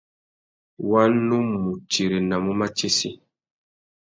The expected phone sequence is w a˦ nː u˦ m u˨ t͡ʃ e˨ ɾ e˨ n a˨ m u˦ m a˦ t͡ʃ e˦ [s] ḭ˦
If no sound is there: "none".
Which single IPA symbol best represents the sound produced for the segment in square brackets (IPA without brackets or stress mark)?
s